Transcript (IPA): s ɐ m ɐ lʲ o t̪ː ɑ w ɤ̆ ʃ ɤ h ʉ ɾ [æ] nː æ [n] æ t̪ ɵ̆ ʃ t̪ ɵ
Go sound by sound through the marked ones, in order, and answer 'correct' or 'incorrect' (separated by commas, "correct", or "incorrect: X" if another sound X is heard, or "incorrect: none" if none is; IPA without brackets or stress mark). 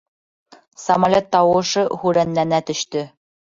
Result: correct, correct